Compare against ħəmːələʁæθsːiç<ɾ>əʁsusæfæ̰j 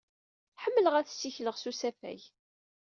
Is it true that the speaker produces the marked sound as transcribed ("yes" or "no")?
no